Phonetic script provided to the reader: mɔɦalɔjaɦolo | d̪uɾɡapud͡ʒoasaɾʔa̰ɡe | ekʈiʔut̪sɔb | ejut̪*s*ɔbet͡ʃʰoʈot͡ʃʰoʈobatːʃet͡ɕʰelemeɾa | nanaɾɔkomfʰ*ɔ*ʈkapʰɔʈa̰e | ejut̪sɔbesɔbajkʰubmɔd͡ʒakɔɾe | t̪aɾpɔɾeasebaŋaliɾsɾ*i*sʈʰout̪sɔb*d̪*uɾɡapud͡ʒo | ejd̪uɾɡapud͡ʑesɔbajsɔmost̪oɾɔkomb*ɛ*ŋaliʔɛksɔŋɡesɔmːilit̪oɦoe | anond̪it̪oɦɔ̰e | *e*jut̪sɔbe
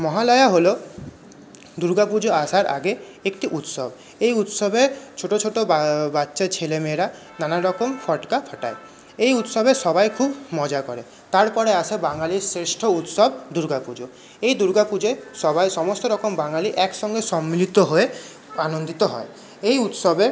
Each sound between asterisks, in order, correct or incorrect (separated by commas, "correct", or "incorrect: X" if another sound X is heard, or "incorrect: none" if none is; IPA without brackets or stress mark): correct, correct, incorrect: e, correct, incorrect: a, correct